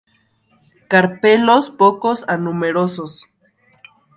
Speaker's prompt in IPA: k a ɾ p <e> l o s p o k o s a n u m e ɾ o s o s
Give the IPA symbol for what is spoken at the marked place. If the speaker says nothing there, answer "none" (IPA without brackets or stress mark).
e